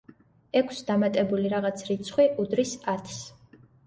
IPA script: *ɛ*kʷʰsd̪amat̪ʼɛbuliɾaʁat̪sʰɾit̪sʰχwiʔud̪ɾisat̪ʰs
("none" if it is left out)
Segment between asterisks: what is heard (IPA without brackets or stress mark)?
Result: ɛ